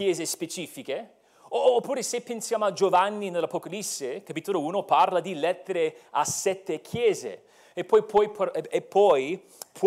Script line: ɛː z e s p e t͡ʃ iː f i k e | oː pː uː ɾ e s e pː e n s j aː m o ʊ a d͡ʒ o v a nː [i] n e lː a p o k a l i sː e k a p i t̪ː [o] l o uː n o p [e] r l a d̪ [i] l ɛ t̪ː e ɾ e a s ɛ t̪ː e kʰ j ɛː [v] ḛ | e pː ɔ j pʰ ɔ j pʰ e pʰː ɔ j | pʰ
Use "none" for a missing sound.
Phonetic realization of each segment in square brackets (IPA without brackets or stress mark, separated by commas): i, o, a, i, z